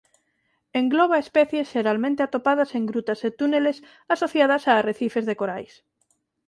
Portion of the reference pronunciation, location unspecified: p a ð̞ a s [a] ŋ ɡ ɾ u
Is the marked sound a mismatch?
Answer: yes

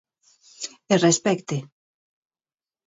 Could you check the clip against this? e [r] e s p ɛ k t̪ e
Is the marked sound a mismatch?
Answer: no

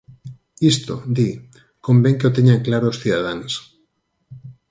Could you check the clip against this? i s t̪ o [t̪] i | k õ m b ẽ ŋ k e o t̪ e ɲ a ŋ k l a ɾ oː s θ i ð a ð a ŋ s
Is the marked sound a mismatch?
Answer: yes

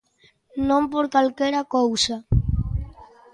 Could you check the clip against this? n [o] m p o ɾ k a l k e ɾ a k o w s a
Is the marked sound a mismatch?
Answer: yes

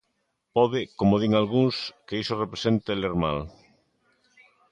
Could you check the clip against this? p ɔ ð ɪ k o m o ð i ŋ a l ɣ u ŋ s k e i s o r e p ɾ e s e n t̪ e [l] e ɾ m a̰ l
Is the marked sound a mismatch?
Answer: no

